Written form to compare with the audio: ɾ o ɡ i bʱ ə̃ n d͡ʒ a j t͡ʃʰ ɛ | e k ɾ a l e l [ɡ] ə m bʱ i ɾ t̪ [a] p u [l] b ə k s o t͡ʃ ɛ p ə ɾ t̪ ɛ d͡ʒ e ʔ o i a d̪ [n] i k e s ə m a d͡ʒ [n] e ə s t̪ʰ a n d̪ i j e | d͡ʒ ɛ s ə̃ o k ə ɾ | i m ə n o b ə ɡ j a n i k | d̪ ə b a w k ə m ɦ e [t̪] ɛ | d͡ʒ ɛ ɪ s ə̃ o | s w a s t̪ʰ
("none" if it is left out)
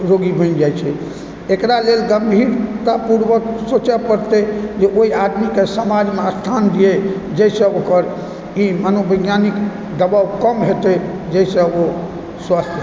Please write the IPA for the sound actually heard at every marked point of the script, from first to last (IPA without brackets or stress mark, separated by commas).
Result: ɡ, a, ɾ, m, m, t̪